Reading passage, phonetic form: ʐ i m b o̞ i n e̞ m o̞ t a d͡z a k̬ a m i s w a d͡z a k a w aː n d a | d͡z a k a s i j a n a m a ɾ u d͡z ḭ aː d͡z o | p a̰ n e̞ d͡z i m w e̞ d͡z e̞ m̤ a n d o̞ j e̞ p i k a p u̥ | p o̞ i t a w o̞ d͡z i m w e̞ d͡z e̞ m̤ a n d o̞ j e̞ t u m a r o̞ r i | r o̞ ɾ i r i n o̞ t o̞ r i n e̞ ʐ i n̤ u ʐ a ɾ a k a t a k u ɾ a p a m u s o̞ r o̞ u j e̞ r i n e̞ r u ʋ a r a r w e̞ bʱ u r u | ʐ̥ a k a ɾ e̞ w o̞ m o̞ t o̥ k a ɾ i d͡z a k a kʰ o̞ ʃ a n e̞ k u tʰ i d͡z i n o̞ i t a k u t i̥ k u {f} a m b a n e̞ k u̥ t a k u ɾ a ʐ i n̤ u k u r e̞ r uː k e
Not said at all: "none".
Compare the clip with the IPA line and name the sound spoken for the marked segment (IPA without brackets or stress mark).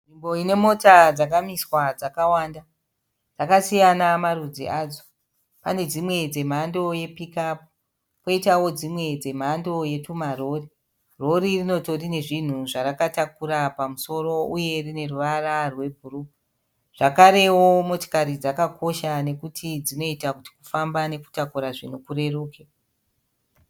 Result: f